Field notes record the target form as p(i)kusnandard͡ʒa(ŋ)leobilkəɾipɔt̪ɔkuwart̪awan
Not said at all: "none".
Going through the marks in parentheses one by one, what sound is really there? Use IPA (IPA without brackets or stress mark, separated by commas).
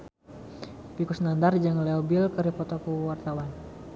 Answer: i, ŋ